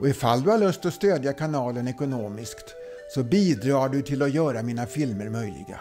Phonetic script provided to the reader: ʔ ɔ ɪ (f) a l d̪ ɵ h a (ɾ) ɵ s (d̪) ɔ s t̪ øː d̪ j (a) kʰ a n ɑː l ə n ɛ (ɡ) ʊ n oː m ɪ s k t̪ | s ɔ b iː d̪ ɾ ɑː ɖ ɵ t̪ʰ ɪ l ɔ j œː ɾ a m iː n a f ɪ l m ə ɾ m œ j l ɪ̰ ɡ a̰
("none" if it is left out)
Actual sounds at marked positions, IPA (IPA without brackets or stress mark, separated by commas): f, ɭ, t̪, a, k